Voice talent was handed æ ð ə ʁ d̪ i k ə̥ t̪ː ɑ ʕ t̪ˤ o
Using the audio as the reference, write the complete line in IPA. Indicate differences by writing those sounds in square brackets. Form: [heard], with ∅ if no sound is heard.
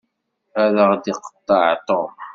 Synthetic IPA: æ ð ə ʁ d̪ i [q] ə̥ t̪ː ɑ ʕ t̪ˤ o